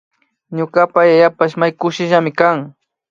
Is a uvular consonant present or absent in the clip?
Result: absent